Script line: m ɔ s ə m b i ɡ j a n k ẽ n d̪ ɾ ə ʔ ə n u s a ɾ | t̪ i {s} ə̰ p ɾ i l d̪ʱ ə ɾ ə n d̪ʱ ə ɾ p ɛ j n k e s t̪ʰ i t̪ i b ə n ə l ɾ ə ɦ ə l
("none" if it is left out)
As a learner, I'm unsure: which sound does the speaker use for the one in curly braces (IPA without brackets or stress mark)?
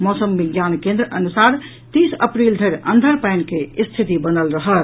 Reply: s